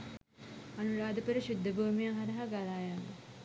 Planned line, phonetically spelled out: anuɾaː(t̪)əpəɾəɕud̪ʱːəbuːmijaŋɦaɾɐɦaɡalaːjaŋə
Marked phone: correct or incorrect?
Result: incorrect